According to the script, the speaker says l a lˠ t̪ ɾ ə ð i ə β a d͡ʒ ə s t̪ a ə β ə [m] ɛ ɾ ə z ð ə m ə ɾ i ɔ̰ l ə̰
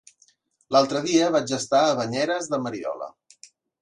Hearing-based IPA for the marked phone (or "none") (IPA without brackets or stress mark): ɲ